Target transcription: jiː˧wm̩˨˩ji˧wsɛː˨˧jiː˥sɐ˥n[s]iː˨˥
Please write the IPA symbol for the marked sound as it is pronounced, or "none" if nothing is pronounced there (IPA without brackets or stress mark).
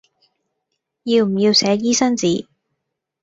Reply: t͡s